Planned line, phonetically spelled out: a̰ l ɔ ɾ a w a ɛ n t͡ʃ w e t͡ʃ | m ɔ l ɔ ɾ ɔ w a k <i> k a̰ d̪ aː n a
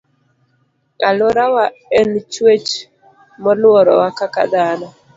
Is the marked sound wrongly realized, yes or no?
yes